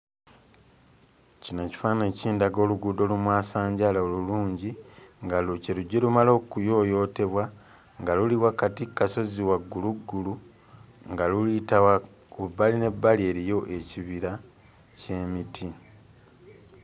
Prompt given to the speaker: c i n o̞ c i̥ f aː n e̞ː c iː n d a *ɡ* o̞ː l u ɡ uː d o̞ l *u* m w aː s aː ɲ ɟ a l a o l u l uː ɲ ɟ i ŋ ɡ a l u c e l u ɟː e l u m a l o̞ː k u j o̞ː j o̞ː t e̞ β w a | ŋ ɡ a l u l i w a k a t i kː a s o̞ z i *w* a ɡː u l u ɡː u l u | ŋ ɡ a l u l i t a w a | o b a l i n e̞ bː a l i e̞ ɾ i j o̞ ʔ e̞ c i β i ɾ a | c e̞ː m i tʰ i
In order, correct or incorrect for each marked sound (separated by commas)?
correct, correct, correct